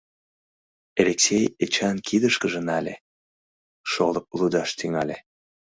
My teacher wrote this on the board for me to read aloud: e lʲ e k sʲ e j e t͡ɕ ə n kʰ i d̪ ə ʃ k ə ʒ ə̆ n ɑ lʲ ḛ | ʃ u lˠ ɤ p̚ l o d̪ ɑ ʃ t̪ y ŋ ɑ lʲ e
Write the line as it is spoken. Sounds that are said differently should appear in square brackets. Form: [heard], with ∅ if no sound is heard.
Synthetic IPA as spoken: e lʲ e k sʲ e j e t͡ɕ [ɑ] n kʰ i d̪ ə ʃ k ə ʒ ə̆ n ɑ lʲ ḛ | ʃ [o] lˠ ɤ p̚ l [u] d̪ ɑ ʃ t̪ y ŋ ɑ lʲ e